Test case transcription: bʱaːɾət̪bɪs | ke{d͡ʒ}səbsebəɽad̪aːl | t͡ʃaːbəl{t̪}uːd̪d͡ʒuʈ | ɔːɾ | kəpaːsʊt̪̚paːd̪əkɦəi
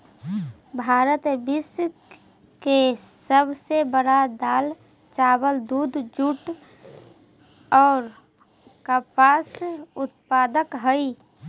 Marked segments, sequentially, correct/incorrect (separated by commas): incorrect, incorrect